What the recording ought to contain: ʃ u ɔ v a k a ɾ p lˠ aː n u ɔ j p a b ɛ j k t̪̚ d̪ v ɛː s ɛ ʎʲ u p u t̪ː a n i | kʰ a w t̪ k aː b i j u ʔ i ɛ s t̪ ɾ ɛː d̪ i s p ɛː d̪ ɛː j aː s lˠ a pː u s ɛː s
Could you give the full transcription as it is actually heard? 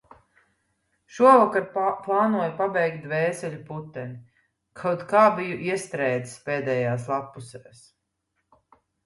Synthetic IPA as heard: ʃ u ɔ v a k a ɾ p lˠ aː n u ɔ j p a b ɛ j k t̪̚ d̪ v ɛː s ɛ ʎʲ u p u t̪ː ɛ n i | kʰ a w t̪ k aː b i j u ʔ i ɛ s t̪ ɾ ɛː d̪ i s p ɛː d̪ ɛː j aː s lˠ a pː u s ɛː s